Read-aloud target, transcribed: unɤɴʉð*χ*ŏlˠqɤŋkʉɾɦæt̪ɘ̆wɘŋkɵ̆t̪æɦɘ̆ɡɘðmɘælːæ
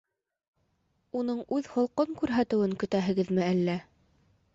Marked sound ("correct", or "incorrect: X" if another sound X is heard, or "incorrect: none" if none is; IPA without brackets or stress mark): incorrect: h